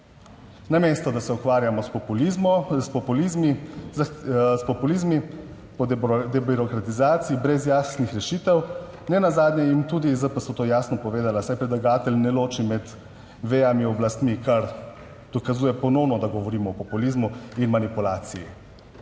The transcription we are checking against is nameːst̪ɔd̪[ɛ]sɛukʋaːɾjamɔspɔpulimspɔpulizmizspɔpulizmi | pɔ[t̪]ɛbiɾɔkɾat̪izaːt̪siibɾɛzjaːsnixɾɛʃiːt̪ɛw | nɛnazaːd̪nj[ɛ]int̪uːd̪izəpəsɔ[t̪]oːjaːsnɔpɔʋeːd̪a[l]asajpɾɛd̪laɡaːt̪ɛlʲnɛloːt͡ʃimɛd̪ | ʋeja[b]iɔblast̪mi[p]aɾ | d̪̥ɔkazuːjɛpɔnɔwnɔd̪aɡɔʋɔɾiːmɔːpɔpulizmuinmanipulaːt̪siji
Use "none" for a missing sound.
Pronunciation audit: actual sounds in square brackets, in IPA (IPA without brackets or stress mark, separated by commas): a, d̪, ɛ, t̪, l, m, k